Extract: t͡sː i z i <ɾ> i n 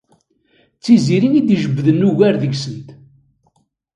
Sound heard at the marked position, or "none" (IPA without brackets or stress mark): ɾ